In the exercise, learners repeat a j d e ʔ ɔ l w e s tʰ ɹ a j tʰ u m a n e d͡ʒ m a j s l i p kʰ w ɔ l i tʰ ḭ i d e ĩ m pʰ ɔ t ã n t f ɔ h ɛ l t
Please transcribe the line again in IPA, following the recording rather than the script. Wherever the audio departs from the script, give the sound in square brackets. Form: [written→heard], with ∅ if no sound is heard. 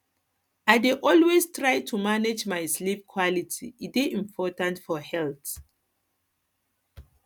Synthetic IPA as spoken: a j d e ʔ ɔ l w e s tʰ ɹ a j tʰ u m a n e d͡ʒ m a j s l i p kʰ w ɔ l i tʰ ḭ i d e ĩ m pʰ ɔ t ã n t f ɔ h ɛ l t